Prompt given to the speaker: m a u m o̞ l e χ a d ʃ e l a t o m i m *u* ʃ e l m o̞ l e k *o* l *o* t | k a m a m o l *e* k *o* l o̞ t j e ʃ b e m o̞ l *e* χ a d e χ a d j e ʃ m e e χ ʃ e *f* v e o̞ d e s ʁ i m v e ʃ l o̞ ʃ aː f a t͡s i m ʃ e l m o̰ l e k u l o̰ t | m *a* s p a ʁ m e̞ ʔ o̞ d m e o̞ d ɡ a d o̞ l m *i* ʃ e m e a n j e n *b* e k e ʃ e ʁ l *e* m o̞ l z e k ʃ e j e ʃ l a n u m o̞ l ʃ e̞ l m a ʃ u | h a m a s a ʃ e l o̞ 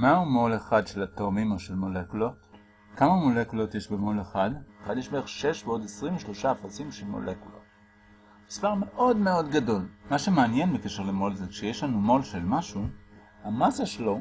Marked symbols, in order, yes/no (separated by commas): no, no, yes, yes, no, yes, no, no, no, yes, yes